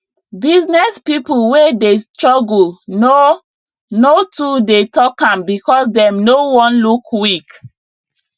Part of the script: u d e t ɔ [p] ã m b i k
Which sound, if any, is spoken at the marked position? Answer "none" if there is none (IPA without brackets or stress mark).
k